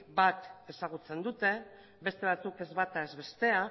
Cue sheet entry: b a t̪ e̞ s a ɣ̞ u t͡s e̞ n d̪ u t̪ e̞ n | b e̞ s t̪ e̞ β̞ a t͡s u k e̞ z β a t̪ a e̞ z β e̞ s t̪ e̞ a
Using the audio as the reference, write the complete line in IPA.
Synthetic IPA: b a t̪ e̞ s a ɣ̞ u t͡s e̞ n d̪ u t̪ e̞ | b e̞ s t̪ e̞ β̞ a t͡s u k e̞ z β a t̪ a e̞ z β e̞ s t̪ e̞ a